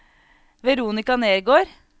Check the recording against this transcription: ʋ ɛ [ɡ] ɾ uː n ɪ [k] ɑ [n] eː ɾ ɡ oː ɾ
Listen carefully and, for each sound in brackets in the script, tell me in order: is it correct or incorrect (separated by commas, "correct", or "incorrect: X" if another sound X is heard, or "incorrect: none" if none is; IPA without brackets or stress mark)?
incorrect: none, correct, correct